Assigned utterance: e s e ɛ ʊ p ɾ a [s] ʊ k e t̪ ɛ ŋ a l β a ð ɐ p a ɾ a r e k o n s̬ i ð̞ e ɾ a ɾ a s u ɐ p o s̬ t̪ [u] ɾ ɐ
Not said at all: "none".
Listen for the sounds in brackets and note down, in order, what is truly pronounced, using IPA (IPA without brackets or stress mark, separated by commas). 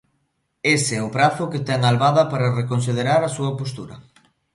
θ, u